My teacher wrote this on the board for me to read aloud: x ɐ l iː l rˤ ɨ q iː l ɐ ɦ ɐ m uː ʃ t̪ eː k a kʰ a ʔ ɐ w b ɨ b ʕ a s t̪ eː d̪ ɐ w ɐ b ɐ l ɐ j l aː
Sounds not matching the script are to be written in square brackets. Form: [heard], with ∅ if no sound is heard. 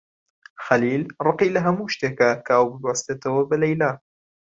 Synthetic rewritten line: x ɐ l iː l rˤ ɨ q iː l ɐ ɦ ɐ m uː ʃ t̪ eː k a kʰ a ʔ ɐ w b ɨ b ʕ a s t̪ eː [t̪] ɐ w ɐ b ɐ l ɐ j l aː